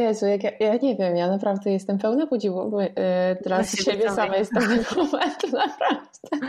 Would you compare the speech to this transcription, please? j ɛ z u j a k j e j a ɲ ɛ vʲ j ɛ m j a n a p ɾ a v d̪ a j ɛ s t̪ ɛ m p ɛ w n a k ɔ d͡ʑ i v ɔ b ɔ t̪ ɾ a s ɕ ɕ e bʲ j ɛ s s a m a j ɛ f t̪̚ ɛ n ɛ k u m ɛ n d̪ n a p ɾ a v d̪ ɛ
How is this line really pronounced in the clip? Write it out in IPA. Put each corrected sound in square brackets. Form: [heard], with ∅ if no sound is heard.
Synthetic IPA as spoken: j ɛ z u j a k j [a] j a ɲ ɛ vʲ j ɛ m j a n a p ɾ a v d̪ [ɛ] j ɛ s t̪ ɛ m p ɛ w n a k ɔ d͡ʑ i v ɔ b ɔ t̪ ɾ a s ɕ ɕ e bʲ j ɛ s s a m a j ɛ [s] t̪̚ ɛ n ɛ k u m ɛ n [t̪] n a p ɾ a v d̪ ɛ